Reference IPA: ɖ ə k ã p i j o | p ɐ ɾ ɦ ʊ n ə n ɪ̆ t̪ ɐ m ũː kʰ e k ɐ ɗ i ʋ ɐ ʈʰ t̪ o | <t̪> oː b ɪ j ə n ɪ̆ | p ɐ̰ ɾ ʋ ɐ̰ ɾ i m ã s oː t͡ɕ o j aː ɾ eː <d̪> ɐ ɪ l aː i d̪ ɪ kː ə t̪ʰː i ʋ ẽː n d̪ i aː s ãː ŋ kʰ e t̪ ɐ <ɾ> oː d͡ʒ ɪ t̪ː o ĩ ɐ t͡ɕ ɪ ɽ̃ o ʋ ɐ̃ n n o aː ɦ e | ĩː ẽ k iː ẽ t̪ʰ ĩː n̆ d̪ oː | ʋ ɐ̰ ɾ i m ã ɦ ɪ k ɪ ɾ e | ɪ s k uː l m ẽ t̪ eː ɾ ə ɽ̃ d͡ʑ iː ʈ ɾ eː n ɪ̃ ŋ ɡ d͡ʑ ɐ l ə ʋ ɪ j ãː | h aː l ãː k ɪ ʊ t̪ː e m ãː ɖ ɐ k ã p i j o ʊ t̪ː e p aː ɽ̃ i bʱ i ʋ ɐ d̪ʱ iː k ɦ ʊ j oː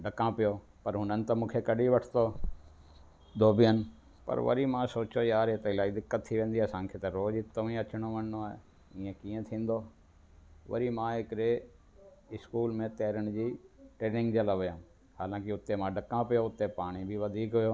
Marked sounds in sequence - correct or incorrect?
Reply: incorrect: d̪, incorrect: t̪, correct

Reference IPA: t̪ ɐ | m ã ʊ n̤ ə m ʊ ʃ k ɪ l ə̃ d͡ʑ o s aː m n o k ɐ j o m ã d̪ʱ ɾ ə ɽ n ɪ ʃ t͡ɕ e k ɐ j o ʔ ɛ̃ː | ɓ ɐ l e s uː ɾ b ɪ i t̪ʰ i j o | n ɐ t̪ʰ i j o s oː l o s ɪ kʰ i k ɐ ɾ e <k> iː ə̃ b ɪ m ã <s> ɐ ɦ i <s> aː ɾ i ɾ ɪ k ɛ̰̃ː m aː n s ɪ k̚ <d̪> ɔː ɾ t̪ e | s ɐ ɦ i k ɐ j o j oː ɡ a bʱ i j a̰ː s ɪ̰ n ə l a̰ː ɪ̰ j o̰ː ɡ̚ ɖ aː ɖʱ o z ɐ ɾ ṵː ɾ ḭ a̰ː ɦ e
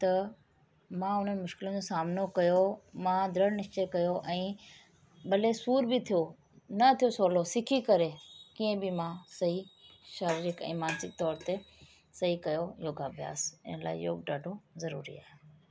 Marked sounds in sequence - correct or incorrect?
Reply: correct, correct, incorrect: ʃ, incorrect: t̪

